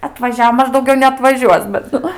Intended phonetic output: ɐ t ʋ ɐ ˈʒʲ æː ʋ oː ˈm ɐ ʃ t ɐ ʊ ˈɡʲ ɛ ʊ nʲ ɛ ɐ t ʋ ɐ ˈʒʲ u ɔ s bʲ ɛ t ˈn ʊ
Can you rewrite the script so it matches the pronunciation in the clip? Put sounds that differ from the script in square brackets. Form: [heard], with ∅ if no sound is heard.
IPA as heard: ɐ t ʋ ɐ ˈʒʲ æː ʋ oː ˈm ɐ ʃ [d] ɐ ʊ ˈɡʲ ɛ ʊ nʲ ɛ ɐ t ʋ ɐ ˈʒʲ u ɔ s bʲ ɛ t ˈn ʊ

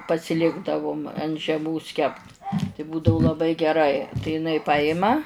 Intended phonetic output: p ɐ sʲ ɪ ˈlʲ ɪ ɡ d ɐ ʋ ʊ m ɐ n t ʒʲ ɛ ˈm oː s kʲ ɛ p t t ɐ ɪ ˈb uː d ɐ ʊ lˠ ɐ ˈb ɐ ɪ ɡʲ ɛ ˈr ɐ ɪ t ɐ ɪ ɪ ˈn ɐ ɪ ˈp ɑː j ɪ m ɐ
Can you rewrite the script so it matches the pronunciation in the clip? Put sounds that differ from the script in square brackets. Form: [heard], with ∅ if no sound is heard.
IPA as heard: p ɐ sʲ ɪ ˈlʲ ɪ ɡ d ɐ ʋ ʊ m ɐ n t ʒʲ ɛ ˈm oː s kʲ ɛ p t t ɐ ɪ ˈb uː d ɐ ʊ lˠ ɐ ˈb ɐ ɪ ɡʲ ɛ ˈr ɐ ɪ t ɐ ɪ ɪ ˈn ɐ ɪ ˈp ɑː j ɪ m ɐ

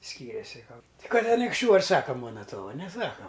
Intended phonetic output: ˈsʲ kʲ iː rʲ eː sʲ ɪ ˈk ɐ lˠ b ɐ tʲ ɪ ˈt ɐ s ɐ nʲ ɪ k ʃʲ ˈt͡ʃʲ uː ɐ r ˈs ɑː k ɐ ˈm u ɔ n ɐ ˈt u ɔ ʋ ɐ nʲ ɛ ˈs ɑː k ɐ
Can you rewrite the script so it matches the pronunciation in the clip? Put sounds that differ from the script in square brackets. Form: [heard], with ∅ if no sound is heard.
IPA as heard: ˈsʲ kʲ iː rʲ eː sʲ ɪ ˈk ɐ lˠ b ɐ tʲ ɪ [ˈk] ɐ [t] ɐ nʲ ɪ k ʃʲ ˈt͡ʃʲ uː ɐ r ˈs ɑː k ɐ ˈm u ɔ n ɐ ˈt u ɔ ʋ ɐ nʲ ɛ ˈs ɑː k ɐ

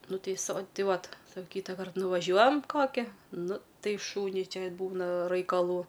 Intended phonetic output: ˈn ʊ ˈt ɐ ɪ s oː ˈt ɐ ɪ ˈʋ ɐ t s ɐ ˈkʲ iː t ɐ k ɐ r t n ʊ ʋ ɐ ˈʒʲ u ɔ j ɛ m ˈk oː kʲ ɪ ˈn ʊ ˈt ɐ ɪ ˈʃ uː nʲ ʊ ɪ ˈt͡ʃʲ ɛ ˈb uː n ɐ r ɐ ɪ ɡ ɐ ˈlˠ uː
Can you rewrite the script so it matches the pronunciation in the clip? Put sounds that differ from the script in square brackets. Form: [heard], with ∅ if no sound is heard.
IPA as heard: ˈn ʊ ˈt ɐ ɪ s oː ˈt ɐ ɪ ˈʋ ɐ t s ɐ ˈkʲ iː t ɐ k ɐ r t n ʊ ʋ ɐ ˈʒʲ u ɔ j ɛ m ˈk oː kʲ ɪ ˈn ʊ ˈt ɐ ɪ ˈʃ uː nʲ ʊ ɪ ˈt͡ʃʲ ɛ ˈb uː n ɐ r ɐ ɪ [k] ɐ ˈlˠ uː

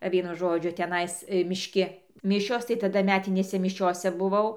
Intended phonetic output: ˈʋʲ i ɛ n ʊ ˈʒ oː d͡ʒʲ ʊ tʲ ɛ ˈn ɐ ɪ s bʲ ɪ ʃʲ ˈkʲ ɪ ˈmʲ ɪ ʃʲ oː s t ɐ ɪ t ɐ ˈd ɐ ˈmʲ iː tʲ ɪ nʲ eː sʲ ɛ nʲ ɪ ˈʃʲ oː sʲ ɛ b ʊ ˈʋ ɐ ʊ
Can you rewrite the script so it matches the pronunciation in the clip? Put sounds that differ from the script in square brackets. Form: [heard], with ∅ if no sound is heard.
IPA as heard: ˈʋʲ i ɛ n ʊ ˈʒ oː d͡ʒʲ ʊ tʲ ɛ ˈn ɐ ɪ s [mʲ] ɪ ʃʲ ˈkʲ ɪ ˈmʲ ɪ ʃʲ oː s t ɐ ɪ t ɐ ˈd ɐ ˈmʲ [æː] tʲ ɪ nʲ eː sʲ ɛ [mʲ] ɪ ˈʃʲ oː sʲ ɛ b ʊ ˈʋ ɐ ʊ

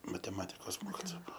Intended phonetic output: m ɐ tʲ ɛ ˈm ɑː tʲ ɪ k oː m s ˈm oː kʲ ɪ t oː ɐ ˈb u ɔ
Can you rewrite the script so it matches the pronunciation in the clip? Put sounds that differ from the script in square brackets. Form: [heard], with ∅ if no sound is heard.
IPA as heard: m ɐ tʲ ɛ ˈm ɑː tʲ ɪ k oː [∅] s ˈm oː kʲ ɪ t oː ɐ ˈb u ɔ

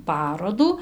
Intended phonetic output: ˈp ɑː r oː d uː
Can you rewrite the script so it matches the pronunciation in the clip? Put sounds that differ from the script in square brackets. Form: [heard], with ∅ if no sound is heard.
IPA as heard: ˈp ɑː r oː d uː

